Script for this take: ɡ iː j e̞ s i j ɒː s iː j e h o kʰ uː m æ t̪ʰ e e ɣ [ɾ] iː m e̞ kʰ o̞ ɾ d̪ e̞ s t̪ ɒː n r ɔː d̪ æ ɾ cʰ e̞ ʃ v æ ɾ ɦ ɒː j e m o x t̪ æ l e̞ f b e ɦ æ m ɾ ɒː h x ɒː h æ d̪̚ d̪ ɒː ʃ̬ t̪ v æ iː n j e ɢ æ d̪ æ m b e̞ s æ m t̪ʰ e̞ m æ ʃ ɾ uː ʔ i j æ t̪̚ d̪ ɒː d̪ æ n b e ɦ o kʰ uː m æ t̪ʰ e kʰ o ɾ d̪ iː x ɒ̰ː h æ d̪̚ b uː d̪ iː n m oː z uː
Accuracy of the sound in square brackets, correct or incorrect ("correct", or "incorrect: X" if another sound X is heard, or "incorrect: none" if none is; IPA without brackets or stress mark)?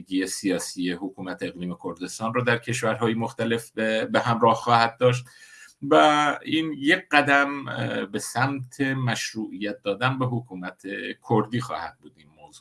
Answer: incorrect: l